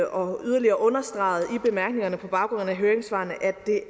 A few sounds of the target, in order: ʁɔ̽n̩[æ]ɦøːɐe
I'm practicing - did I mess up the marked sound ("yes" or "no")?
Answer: no